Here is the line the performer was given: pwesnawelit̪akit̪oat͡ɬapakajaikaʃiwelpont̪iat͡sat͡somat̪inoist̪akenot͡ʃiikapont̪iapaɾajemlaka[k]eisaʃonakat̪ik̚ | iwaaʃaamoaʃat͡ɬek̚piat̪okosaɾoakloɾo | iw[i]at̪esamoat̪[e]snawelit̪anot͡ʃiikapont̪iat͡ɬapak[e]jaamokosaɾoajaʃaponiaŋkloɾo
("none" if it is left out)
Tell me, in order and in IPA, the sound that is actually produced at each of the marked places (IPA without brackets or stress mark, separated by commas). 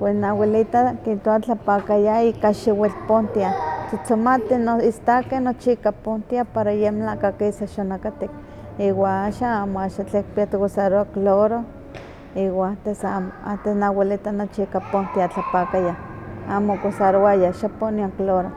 k, a, e, a